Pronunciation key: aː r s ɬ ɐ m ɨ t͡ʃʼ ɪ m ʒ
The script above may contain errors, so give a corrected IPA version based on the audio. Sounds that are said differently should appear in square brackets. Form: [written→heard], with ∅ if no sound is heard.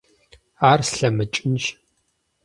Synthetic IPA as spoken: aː r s ɬ ɐ m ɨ t͡ʃʼ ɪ [m→n] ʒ